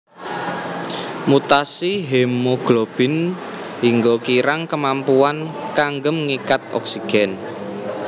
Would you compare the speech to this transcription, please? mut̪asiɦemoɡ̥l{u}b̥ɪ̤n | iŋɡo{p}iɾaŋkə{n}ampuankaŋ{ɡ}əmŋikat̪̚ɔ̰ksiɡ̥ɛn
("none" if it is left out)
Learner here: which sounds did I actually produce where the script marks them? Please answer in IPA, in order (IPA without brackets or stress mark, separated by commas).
o, k, m, ɡ